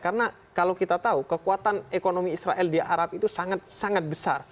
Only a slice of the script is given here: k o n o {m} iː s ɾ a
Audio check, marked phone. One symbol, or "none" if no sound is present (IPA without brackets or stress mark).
m